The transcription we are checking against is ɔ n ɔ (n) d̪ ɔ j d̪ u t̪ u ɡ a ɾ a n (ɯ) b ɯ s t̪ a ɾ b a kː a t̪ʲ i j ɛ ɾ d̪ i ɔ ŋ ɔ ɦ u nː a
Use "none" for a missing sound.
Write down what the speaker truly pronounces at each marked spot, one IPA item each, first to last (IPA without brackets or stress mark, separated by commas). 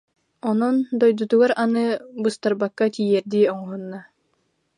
n, ɯ